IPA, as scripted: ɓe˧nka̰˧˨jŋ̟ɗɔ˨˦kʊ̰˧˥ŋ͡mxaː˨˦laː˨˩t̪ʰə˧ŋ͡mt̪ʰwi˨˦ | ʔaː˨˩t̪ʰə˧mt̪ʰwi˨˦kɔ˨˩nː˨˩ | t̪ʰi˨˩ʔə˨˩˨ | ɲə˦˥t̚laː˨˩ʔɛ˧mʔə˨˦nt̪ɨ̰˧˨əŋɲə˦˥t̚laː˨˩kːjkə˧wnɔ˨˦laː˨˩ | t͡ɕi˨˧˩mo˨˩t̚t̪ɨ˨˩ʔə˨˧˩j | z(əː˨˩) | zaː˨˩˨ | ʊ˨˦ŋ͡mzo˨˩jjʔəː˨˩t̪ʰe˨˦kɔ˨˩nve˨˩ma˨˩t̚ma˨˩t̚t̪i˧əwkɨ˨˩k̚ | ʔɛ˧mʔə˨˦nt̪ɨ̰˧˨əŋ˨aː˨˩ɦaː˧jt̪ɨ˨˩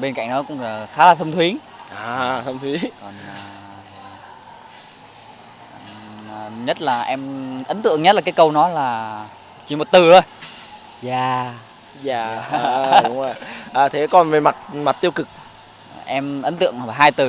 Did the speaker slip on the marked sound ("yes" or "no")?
yes